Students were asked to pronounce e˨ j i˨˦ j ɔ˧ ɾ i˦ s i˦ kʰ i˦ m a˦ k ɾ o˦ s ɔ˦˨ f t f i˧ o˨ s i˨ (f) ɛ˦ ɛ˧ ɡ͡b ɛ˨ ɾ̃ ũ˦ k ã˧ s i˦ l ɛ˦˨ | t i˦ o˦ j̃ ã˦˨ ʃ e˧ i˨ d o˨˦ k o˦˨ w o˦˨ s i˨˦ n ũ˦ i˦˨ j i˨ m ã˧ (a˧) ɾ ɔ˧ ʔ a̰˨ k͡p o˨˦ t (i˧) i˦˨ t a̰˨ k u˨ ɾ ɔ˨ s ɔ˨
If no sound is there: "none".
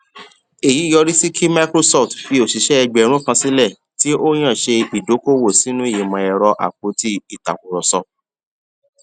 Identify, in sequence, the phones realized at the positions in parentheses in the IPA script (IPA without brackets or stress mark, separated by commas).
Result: ʃ, ɛ˧, i˧